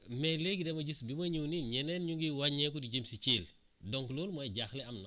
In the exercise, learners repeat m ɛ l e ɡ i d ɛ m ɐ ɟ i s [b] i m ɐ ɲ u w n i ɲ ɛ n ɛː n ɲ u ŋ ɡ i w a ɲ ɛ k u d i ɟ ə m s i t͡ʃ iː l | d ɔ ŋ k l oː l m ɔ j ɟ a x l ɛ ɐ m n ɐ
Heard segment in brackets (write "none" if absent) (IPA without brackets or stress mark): b